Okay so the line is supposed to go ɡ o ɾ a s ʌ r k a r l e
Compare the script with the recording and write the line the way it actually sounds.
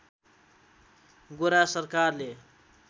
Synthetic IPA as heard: ɡ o ɾ a s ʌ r k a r l e

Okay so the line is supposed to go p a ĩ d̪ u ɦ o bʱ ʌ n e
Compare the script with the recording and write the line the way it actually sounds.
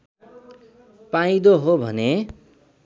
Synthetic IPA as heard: p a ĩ d̪ o ɦ o bʱ ʌ n e

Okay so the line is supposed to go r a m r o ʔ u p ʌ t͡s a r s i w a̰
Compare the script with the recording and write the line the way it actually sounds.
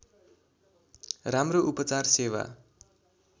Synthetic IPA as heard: r a m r o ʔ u p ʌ t͡s a r s e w a̰

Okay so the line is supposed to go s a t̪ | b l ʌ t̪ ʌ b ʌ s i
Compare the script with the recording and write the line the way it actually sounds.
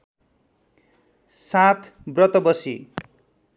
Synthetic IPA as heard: s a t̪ | b r ʌ t̪ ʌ b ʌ s i

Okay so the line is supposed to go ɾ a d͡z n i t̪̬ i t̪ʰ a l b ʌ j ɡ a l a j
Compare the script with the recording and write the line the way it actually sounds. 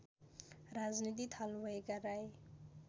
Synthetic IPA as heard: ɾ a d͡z n i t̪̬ i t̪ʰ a l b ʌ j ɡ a ɾ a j

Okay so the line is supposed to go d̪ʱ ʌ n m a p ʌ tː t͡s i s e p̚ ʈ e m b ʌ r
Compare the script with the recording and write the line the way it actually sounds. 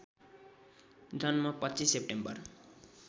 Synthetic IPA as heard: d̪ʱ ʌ n m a p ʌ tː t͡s i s e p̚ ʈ e m b ʌ r

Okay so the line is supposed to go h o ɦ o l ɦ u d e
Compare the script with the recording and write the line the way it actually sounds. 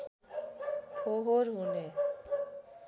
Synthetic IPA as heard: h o ɦ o ɾ ɦ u n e

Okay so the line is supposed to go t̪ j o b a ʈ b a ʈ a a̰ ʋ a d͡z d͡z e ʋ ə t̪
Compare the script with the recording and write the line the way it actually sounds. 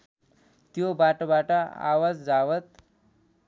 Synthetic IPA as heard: t̪ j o b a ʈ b a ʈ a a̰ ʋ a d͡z d͡z a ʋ ə t̪

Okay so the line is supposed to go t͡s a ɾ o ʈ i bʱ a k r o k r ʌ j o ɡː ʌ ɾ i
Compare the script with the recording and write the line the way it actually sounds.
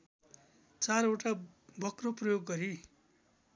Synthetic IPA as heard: t͡s a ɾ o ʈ a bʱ ʌ k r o p r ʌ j o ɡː ʌ ɾ i

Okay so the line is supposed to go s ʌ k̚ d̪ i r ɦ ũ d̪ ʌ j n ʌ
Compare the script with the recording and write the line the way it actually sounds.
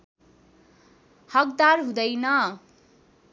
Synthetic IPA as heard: h ʌ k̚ d̪ a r ɦ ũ d̪ ʌ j n ʌ

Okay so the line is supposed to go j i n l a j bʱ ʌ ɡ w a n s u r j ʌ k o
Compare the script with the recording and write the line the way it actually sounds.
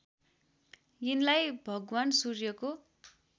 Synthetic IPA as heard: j i n l a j bʱ ʌ ɡ w a n s u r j ʌ k o

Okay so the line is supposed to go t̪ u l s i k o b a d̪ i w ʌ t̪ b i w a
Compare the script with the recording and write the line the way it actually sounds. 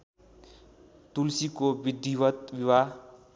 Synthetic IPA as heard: t̪ u l s i k o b i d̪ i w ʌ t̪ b i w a

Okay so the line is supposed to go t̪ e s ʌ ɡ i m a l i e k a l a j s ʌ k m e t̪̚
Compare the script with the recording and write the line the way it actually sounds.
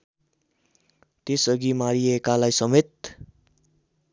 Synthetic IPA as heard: t̪ e s ʌ ɡ i m a ɾ i e k a l a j s ʌ m e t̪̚

